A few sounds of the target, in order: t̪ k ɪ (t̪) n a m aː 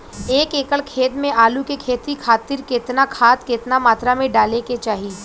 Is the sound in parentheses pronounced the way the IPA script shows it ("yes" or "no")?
yes